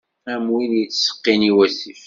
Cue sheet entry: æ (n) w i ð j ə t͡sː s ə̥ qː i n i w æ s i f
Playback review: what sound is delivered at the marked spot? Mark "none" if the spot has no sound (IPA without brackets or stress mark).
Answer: m